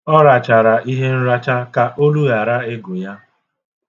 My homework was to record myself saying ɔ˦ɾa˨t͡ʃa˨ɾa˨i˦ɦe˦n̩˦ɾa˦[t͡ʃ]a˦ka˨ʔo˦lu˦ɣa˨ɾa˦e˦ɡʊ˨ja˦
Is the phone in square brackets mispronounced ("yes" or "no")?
no